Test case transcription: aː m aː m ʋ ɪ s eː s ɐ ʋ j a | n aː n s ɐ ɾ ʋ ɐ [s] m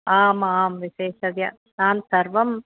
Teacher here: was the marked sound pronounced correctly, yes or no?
no